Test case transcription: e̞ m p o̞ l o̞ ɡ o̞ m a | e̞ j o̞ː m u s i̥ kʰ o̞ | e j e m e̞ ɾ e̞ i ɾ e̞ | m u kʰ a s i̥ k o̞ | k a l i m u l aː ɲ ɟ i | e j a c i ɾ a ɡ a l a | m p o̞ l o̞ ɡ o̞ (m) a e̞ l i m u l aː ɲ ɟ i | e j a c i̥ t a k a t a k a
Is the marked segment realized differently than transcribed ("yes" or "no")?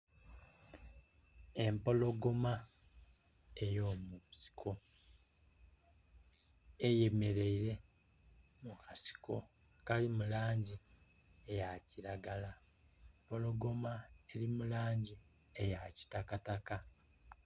no